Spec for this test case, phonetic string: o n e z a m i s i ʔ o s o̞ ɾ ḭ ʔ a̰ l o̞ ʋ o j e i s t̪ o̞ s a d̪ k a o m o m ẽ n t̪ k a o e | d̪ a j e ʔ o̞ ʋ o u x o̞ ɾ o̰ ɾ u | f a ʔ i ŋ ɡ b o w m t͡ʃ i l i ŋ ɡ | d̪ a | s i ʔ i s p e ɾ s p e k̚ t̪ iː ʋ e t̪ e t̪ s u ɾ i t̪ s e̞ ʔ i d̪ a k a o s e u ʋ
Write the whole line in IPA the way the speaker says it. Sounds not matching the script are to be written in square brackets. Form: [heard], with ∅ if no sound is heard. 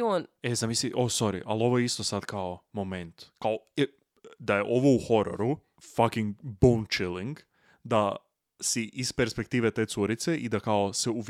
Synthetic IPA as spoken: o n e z a m i s i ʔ o s o̞ ɾ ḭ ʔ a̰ l o̞ ʋ o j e i s t̪ o̞ s a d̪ k a o m o m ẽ n t̪ k a o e | d̪ a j e ʔ o̞ ʋ o u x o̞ ɾ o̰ ɾ u | f a [k] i ŋ ɡ b o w [n] t͡ʃ i l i ŋ ɡ | d̪ a | s i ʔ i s p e ɾ s p e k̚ t̪ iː ʋ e t̪ e t̪ s u ɾ i t̪ s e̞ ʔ i d̪ a k a o s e u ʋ